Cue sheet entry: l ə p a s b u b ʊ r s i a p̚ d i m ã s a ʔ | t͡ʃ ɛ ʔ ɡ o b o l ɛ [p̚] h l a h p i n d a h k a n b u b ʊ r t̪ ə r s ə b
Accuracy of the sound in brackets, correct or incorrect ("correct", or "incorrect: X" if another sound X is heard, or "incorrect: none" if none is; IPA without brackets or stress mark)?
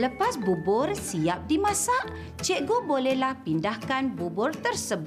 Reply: incorrect: none